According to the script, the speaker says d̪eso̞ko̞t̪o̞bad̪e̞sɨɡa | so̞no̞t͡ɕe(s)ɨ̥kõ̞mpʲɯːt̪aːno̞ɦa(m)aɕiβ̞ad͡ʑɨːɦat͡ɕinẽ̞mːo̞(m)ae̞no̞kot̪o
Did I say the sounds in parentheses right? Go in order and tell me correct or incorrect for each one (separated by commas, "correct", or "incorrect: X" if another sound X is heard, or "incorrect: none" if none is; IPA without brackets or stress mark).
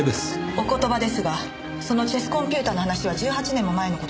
correct, incorrect: n, correct